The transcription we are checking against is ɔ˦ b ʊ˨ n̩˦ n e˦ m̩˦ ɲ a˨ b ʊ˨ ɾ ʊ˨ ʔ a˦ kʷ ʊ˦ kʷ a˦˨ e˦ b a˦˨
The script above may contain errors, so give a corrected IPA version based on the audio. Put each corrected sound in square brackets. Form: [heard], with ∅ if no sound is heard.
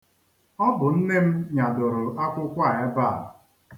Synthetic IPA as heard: ɔ˦ b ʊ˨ n̩˦ n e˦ m̩˦ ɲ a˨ [d] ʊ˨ ɾ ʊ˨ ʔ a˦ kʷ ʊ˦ kʷ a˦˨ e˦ b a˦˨